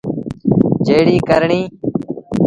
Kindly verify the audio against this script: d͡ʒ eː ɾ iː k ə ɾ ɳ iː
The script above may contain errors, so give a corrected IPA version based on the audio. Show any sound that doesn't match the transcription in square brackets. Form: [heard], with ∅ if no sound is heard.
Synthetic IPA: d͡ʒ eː [ɽ] iː k ə ɾ ɳ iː